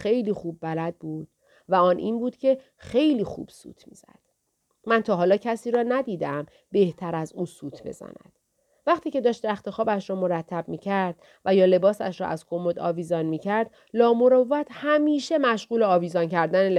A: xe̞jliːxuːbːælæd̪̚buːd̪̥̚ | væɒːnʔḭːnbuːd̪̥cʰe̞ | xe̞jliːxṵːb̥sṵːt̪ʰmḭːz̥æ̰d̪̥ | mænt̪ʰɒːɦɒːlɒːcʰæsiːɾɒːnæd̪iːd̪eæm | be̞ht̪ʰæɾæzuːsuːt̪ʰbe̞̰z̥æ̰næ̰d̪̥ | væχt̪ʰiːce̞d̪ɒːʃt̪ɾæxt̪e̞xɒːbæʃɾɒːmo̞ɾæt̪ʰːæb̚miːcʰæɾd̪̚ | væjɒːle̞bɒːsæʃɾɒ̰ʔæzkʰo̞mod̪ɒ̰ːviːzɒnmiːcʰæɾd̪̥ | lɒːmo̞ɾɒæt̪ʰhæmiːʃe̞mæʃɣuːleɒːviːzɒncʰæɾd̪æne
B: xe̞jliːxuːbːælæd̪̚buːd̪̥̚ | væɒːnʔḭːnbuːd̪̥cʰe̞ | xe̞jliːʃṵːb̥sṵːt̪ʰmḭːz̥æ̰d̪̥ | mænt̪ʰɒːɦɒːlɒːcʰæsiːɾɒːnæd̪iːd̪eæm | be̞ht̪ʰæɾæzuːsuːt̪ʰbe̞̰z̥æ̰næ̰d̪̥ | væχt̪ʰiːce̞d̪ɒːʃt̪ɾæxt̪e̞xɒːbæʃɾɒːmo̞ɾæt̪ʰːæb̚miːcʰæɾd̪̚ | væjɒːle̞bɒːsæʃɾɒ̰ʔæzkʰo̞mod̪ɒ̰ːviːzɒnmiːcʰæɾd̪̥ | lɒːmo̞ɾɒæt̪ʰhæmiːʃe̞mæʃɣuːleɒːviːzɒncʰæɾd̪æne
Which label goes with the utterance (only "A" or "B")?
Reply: A